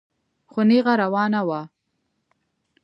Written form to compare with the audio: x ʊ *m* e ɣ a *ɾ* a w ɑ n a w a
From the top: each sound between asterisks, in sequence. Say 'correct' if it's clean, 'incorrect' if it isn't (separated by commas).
incorrect, correct